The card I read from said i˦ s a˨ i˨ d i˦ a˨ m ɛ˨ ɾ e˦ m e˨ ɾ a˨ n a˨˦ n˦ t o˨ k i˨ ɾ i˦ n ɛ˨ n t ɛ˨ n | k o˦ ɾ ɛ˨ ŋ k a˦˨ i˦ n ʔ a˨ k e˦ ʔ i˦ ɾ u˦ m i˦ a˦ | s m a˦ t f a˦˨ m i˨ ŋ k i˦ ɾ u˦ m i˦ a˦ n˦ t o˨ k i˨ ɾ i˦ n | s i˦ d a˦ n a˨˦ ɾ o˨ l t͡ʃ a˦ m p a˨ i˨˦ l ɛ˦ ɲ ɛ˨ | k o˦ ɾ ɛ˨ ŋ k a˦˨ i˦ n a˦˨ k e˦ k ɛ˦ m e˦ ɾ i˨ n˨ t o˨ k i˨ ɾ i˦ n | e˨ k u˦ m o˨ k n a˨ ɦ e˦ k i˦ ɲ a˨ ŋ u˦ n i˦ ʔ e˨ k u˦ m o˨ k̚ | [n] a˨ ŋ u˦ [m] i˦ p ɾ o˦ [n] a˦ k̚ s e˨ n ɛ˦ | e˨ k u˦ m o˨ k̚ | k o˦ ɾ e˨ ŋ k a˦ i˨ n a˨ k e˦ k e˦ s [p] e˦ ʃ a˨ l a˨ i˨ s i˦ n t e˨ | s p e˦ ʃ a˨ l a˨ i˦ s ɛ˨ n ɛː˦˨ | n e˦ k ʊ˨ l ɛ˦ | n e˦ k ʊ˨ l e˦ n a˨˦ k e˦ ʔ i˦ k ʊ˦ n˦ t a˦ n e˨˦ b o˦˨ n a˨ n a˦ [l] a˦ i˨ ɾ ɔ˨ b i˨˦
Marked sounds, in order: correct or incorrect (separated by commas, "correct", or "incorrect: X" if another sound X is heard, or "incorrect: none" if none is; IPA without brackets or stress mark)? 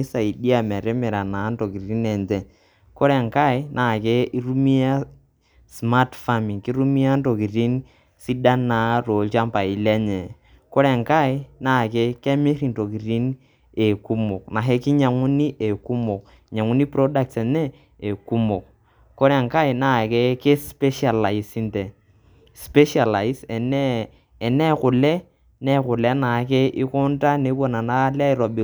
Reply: incorrect: ɲ, incorrect: n, incorrect: d, correct, correct